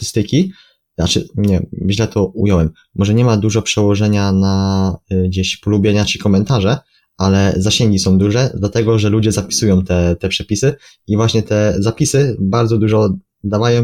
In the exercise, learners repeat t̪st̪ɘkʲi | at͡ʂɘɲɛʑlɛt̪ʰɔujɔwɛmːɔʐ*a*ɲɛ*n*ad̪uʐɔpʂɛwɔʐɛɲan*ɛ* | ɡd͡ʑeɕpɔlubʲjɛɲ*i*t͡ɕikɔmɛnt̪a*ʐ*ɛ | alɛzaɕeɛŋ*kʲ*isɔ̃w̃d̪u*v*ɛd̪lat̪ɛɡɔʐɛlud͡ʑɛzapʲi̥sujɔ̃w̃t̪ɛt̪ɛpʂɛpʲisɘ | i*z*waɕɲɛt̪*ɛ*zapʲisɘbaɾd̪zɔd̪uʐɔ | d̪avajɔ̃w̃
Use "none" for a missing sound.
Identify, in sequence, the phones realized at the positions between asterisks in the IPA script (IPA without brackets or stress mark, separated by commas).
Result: ɛ, m, a, a, ʐ, ɡʲ, ʐ, v, ɛ